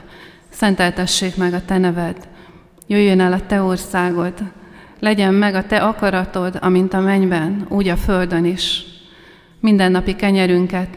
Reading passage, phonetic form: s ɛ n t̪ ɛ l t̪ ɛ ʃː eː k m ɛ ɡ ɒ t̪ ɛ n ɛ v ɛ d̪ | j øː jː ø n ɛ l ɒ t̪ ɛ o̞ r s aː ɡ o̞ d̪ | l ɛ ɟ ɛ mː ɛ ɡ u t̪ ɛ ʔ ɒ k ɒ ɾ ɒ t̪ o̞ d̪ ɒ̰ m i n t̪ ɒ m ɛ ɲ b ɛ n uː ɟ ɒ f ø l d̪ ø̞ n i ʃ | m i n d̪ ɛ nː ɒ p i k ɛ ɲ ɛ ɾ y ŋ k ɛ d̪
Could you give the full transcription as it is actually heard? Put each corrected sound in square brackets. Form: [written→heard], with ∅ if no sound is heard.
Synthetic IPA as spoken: s ɛ n t̪ ɛ l t̪ ɛ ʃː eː k m ɛ ɡ ɒ t̪ ɛ n ɛ v ɛ d̪ | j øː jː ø n ɛ l ɒ t̪ ɛ o̞ r s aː ɡ o̞ d̪ | l ɛ ɟ ɛ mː ɛ ɡ [u→ɒ] t̪ ɛ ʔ ɒ k ɒ ɾ ɒ t̪ o̞ d̪ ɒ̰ m i n t̪ ɒ m ɛ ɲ b ɛ n uː ɟ ɒ f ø l d̪ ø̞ n i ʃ | m i n d̪ ɛ nː ɒ p i k ɛ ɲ ɛ ɾ y ŋ k ɛ [d̪→t̪]